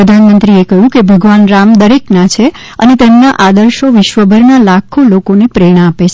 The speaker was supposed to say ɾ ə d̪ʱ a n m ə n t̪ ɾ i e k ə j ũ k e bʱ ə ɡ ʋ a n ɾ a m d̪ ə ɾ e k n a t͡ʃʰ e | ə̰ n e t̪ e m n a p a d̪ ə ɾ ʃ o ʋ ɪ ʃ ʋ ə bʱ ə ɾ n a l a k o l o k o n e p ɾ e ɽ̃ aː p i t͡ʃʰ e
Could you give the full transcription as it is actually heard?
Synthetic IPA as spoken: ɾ ə d̪ʱ a n m ə n t̪ ɾ i e k ə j ũ k e bʱ ə ɡ ʋ a n ɾ a m d̪ ə ɾ e k n a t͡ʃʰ e | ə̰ n e t̪ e m n a ʔ a d̪ ə ɾ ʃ o ʋ ɪ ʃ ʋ ə bʱ ə ɾ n a l a kʰ o l o k o n e p ɾ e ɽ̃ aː p e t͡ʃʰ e